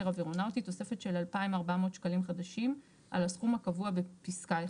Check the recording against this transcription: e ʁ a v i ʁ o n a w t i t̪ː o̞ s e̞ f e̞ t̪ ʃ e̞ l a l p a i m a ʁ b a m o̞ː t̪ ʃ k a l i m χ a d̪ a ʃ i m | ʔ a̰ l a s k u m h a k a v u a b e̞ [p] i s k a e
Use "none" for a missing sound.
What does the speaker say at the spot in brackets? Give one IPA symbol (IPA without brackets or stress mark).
p